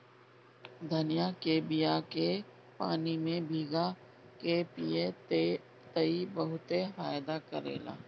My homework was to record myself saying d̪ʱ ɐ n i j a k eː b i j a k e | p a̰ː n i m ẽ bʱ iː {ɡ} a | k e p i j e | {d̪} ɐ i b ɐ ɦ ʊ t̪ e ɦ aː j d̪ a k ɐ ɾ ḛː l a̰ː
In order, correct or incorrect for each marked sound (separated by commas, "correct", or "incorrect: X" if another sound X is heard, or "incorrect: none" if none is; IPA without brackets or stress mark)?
correct, incorrect: t̪